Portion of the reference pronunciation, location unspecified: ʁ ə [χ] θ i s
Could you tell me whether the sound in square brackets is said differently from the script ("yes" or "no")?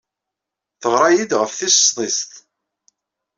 yes